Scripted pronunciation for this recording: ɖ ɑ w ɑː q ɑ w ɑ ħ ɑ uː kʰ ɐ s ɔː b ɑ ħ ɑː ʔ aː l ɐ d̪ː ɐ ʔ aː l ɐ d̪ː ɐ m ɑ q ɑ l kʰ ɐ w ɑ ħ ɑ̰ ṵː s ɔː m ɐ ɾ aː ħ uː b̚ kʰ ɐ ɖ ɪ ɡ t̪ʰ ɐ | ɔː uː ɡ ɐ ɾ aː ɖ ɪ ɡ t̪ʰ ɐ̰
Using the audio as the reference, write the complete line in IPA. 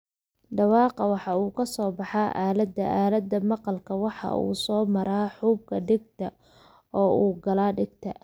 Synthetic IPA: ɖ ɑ w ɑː q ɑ w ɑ ħ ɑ uː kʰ ɐ s ɔː b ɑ ħ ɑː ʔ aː l ɐ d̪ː ɐ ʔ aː l ɐ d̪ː ɐ m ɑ q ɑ l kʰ ɐ w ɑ ħ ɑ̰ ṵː s ɔː m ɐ ɾ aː ħ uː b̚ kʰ ɐ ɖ ɪ ɡ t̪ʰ ɐ | ɔː uː ɡ ɐ l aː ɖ ɪ ɡ t̪ʰ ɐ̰